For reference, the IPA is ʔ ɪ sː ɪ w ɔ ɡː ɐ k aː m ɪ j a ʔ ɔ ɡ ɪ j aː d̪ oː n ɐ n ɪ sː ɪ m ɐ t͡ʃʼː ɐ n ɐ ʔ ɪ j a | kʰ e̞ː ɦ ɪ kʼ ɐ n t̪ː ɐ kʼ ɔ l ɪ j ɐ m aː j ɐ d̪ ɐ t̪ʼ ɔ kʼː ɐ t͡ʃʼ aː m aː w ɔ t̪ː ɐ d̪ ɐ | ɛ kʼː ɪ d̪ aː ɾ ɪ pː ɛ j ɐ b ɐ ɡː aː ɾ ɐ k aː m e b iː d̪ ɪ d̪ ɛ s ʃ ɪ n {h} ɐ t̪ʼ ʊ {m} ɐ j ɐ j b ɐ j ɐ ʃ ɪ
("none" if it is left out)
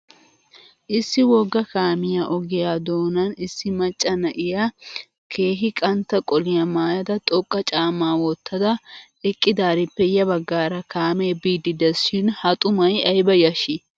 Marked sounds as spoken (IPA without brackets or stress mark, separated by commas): h, m